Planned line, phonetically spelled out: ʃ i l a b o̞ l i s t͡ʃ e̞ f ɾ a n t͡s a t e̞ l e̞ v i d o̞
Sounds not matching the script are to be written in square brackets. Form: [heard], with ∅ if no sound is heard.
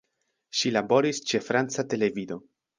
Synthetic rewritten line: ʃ i l a b o̞ [ɾ] i s t͡ʃ e̞ f ɾ a n t͡s a t e̞ l e̞ v i d o̞